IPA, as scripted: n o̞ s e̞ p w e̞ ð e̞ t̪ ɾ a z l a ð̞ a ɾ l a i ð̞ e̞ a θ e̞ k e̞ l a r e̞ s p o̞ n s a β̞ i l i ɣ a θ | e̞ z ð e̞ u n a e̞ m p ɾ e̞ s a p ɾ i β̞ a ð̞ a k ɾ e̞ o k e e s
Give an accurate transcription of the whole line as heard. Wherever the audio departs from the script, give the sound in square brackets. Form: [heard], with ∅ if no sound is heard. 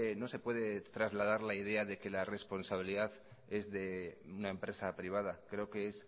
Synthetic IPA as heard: n o̞ s e̞ p w e̞ ð e̞ t̪ ɾ a z l a ð̞ a ɾ l a i ð̞ e̞ a [ð] e̞ k e̞ l a r e̞ s p o̞ n s a β̞ i l i [ð] a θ | e̞ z ð e̞ u n a e̞ m p ɾ e̞ s a p ɾ i β̞ a ð̞ a k ɾ e̞ o k e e s